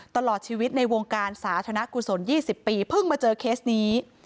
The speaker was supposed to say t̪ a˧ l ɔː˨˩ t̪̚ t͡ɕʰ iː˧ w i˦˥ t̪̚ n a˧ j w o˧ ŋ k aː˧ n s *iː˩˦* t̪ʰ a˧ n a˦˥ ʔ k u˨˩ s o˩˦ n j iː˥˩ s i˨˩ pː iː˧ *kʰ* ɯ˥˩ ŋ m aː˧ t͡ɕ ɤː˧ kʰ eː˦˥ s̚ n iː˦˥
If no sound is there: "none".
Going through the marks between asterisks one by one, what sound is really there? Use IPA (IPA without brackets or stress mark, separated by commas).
aː˩˦, pʰ